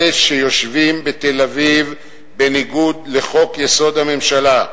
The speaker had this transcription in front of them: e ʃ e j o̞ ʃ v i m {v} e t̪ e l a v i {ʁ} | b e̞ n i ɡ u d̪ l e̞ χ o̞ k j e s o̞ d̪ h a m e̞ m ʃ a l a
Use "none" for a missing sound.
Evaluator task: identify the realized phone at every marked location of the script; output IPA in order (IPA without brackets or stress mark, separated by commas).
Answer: b, v